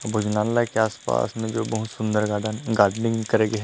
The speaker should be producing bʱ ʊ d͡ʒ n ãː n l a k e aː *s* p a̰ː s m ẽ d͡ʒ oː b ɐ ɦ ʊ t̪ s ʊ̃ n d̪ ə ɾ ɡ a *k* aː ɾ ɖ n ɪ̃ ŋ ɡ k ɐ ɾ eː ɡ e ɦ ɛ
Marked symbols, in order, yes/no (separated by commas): yes, no